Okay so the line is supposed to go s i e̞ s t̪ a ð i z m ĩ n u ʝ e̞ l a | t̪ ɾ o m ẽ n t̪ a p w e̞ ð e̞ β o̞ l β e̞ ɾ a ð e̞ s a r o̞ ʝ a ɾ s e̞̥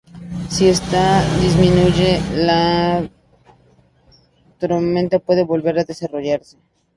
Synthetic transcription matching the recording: s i e̞ s t̪ a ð i z m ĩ n u ʝ e̞ l a | t̪ ɾ o m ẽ n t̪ a p w e̞ ð e̞ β o̞ l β e̞ ɾ a ð e̞ s a r o̞ ʝ a ɾ s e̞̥